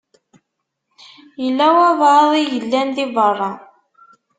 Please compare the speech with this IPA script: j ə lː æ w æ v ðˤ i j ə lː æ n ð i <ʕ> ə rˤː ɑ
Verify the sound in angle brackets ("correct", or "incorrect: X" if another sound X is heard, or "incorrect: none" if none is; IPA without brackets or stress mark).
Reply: incorrect: v